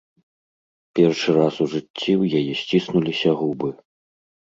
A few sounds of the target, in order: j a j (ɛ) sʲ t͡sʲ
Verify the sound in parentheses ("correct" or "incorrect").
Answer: correct